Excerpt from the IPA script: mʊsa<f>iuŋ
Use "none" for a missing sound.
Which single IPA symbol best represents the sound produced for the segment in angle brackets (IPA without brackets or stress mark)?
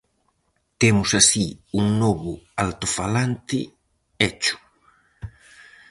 s